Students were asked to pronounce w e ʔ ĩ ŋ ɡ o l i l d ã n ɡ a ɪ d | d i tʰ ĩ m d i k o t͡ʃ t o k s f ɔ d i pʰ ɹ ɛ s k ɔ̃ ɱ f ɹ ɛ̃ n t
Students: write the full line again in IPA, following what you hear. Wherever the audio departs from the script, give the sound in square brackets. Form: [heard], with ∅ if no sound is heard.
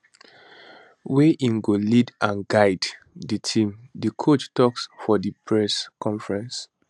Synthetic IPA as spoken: w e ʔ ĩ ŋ ɡ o l i [∅] d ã n ɡ a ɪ d | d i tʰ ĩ m d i [kʰ] o t͡ʃ t [ɔ] k s f ɔ d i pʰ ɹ ɛ s k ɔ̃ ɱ f ɹ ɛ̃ n [s]